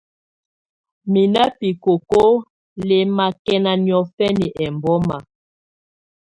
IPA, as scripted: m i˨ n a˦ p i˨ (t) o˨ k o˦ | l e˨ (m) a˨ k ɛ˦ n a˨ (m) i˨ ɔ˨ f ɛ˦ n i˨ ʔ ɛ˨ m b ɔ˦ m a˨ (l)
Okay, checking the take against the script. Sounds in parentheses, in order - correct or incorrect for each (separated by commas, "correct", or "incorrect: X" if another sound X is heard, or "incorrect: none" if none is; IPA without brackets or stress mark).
incorrect: k, correct, incorrect: n, incorrect: none